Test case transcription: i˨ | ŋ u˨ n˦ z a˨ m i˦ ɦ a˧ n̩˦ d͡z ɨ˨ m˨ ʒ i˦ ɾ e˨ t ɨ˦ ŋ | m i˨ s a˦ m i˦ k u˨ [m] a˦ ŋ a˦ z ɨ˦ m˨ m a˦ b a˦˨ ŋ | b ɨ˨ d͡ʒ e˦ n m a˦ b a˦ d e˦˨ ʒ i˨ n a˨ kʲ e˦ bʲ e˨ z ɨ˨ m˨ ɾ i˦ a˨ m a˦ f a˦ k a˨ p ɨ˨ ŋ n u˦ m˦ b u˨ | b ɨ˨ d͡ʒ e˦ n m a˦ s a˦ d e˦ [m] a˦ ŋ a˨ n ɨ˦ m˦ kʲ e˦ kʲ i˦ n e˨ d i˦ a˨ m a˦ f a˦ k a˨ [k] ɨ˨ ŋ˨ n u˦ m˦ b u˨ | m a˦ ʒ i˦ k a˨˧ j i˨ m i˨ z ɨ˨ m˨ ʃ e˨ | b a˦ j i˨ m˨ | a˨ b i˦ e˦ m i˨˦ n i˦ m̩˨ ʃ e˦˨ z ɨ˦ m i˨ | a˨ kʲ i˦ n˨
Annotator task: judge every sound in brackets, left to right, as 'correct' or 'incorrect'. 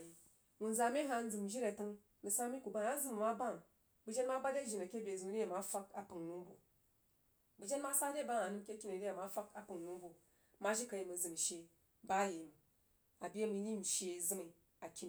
incorrect, incorrect, incorrect

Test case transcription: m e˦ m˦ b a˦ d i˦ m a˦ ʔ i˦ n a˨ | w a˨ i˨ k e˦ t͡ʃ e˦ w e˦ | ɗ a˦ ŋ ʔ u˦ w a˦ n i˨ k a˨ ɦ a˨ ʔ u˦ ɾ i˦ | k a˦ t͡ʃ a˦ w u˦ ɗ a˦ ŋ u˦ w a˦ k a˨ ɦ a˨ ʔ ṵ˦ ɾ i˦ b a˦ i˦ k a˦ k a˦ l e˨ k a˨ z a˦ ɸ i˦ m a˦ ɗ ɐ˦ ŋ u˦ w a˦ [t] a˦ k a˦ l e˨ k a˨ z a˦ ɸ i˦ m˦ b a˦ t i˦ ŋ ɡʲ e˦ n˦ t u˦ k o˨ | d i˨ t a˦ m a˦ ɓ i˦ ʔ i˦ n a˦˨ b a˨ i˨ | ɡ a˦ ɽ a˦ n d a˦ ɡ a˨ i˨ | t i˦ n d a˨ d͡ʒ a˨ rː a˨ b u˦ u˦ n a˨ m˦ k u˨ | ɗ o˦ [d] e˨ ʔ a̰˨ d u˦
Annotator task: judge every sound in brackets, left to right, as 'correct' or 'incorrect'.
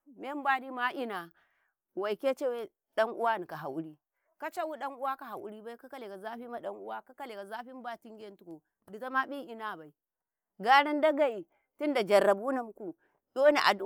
incorrect, incorrect

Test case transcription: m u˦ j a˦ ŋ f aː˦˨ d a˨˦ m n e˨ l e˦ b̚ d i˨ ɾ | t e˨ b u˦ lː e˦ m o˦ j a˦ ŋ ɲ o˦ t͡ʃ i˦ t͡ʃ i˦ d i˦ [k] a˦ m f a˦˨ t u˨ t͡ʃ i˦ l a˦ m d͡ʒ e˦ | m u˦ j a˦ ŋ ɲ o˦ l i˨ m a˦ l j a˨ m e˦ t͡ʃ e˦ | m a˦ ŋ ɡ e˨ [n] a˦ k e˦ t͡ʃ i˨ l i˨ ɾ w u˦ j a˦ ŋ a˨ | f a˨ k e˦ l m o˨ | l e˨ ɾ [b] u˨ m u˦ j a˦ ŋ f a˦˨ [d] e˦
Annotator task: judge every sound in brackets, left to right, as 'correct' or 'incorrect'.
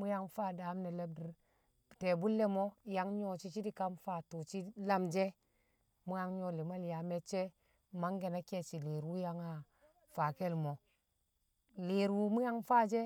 correct, correct, incorrect, incorrect

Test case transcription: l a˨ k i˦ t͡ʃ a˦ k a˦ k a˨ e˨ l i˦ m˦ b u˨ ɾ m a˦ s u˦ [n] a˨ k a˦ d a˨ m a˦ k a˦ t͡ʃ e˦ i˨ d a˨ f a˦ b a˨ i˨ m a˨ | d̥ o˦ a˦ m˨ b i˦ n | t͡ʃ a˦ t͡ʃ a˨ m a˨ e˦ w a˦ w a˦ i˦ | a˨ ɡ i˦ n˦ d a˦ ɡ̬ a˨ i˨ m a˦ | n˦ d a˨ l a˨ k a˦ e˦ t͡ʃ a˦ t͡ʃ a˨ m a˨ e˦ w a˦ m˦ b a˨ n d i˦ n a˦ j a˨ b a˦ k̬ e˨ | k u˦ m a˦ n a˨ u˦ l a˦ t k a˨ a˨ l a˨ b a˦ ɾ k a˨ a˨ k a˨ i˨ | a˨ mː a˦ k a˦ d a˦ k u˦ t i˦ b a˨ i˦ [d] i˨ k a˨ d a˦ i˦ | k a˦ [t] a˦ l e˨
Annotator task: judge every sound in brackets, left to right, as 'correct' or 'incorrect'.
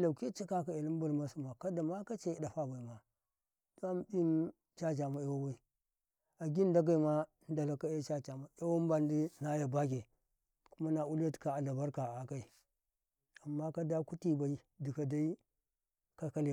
incorrect, correct, incorrect

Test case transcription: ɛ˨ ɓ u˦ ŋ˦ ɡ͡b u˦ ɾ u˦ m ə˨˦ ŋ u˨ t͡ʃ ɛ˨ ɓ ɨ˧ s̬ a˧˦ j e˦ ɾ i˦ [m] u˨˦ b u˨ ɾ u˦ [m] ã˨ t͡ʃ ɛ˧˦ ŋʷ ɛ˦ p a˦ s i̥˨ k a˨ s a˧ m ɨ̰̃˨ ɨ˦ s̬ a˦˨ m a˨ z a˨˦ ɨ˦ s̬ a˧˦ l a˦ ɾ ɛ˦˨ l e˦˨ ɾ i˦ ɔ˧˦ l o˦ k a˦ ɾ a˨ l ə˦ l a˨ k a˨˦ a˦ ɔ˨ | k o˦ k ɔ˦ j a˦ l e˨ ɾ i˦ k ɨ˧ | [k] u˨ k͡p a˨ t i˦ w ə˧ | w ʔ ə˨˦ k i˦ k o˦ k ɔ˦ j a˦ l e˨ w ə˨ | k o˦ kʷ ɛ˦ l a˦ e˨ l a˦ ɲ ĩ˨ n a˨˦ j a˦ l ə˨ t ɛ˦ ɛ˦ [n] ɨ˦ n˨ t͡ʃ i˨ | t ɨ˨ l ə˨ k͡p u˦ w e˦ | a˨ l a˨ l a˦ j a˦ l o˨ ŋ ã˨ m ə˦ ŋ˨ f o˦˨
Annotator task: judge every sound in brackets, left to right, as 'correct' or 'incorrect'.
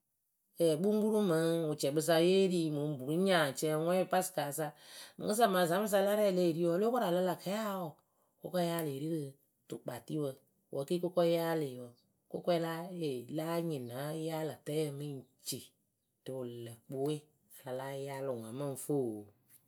correct, incorrect, incorrect, incorrect

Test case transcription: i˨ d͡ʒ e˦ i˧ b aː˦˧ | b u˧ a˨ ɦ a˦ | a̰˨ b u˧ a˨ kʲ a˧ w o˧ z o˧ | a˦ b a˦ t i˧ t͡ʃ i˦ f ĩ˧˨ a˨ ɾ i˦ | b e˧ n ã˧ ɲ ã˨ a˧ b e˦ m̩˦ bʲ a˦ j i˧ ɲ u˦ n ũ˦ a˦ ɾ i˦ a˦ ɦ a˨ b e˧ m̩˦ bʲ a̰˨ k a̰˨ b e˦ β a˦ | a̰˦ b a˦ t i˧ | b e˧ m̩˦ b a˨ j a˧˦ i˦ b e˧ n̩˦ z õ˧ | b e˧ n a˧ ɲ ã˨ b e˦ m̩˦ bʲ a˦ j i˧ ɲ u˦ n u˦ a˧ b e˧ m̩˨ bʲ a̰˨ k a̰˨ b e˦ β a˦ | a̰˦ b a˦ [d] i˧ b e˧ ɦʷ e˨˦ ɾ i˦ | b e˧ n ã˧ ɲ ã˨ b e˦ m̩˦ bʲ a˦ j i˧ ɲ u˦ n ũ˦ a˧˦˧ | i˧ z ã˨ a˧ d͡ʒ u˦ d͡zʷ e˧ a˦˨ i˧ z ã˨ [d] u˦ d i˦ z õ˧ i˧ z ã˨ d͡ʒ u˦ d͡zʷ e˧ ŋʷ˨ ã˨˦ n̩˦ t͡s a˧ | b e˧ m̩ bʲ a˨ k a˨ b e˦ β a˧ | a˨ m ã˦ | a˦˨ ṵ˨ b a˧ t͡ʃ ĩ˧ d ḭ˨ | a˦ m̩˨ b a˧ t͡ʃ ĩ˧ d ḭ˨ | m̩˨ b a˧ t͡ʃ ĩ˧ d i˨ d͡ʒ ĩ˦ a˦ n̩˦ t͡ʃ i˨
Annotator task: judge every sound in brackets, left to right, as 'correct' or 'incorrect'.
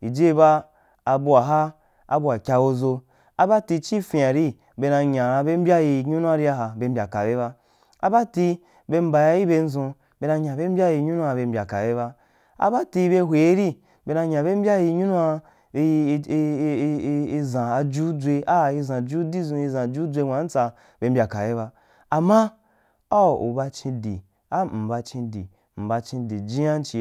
incorrect, incorrect

